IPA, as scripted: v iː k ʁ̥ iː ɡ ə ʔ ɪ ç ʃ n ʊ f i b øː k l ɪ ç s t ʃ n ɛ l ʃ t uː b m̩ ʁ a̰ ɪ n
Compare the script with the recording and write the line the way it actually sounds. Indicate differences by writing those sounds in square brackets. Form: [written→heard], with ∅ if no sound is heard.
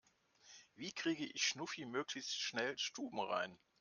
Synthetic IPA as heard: v iː k ʁ̥ iː ɡ ə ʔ ɪ ç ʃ n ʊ f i [b→m] øː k l ɪ ç s t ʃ n ɛ l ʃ t uː b m̩ ʁ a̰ ɪ n